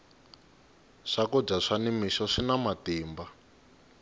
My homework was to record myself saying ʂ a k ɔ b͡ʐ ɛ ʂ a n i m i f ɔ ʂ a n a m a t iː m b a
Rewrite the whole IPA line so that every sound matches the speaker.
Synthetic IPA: ʂ a k ɔ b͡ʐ a ʂ a n i m i ʃ ɔ ʂ i n a m a t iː m b a